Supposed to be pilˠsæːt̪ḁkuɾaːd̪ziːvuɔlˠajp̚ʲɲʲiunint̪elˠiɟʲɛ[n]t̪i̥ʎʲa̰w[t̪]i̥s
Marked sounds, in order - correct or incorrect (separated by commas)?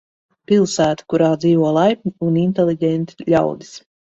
correct, incorrect